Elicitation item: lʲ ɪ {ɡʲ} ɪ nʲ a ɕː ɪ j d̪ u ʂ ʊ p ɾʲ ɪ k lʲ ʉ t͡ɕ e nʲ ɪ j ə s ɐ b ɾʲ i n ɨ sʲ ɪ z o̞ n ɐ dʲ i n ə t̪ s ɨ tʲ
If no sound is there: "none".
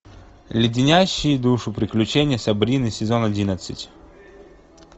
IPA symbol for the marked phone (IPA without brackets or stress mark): dʲ